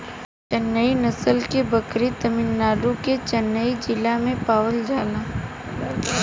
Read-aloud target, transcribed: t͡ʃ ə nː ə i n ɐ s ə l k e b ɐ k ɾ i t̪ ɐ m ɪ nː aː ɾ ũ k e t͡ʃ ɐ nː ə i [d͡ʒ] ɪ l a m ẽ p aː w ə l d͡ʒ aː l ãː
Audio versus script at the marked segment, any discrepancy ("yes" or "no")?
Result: no